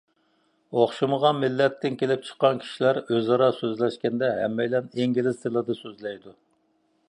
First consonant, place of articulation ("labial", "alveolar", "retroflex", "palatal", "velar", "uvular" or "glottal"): uvular